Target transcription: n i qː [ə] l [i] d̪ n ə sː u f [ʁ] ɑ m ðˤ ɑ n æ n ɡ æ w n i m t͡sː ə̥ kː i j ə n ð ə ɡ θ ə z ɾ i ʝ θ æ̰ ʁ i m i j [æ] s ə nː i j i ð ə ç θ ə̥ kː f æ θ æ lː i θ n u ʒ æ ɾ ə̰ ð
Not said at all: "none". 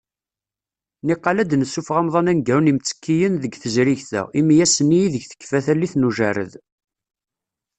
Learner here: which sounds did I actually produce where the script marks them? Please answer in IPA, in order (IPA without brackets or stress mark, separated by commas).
ɑ, æ, ʁ, æ